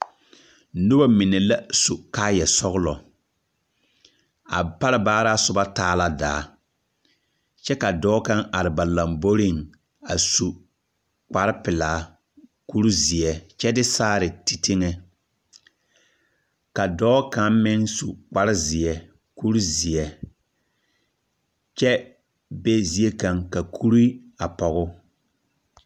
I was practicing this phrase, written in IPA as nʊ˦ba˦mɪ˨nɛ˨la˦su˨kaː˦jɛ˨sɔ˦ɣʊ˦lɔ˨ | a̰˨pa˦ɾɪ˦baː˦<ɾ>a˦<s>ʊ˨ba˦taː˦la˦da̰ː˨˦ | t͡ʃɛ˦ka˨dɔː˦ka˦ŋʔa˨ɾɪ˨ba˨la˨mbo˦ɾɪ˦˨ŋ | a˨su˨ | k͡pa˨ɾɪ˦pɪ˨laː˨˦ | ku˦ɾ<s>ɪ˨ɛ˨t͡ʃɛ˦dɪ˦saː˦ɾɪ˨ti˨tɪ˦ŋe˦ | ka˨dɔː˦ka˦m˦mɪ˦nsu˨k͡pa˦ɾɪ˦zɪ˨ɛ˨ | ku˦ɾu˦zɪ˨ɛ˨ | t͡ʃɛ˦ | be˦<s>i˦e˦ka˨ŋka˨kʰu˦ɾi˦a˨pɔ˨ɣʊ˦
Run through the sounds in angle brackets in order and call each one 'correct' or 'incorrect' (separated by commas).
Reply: correct, correct, incorrect, incorrect